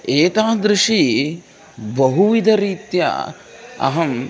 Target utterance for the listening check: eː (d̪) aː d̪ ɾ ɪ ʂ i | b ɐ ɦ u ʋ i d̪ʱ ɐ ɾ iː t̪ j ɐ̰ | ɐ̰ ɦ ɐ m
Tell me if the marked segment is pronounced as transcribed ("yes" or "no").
no